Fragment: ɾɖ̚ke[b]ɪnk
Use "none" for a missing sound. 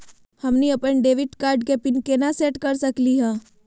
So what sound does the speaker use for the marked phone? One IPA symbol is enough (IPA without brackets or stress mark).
p